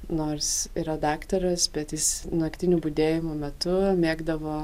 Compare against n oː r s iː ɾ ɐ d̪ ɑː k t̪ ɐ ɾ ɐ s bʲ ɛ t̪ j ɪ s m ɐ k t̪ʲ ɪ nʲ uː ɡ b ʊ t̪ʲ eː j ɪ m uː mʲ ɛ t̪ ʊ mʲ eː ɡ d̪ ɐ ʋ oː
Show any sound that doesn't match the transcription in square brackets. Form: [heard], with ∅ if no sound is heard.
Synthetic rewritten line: n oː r s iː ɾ ɐ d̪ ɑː k t̪ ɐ ɾ ɐ s bʲ ɛ t̪ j ɪ s [n] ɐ k t̪ʲ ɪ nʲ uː [∅] b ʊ [d̪ʲ] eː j ɪ m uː mʲ ɛ t̪ ʊ mʲ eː ɡ d̪ ɐ ʋ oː